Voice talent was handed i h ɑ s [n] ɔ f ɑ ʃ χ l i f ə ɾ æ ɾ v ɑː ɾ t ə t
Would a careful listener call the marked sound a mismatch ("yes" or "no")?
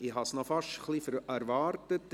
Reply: no